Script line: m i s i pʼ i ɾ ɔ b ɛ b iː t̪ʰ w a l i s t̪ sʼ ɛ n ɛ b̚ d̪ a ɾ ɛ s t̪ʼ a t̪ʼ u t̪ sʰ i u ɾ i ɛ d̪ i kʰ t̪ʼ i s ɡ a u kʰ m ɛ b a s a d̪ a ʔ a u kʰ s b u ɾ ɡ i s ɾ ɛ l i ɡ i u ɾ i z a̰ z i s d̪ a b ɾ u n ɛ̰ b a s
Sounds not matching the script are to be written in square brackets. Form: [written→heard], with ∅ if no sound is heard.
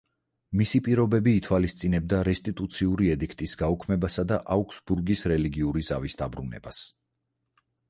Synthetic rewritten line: m i s i pʼ i ɾ ɔ b ɛ b iː t̪ʰ w a l i s t̪ sʼ [ɛ→i] n ɛ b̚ d̪ a ɾ ɛ s t̪ʼ [a→i] t̪ʼ u t̪ sʰ i u ɾ i ɛ d̪ i kʰ t̪ʼ i s ɡ a u kʰ m ɛ b a s a d̪ a ʔ a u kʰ s b u ɾ ɡ i s ɾ ɛ l i ɡ i u ɾ i z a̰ [z→v] i s d̪ a b ɾ u n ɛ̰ b a s